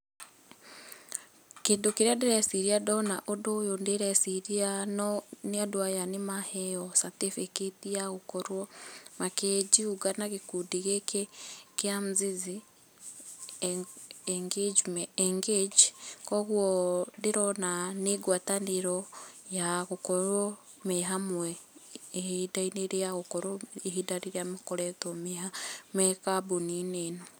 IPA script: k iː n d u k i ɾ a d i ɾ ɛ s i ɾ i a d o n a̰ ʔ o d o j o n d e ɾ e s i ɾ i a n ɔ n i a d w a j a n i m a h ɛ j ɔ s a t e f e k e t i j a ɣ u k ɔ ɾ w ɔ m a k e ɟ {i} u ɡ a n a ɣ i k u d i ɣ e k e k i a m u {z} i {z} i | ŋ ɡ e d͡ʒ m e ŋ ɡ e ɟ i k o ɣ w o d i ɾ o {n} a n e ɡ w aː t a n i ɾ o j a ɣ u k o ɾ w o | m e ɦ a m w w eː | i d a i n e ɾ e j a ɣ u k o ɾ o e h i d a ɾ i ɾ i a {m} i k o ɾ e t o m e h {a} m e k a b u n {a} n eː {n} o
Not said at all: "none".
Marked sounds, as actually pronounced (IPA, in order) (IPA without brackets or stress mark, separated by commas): i, z, z, n, m, a, i, n